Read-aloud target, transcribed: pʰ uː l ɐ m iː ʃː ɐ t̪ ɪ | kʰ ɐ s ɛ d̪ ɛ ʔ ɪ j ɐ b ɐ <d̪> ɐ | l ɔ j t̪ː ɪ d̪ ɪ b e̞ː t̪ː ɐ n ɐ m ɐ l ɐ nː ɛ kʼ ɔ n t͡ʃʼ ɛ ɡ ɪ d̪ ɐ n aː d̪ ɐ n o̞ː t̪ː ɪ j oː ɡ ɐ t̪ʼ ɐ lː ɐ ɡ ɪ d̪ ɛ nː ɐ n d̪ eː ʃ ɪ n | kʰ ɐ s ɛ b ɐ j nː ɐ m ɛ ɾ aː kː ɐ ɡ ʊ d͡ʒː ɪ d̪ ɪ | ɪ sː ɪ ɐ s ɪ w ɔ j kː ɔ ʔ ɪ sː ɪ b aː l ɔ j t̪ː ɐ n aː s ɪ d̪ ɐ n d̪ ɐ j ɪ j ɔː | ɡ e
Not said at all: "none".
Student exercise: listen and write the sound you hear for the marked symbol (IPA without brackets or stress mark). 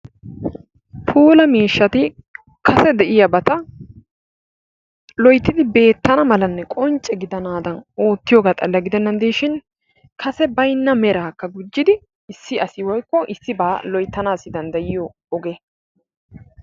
t̪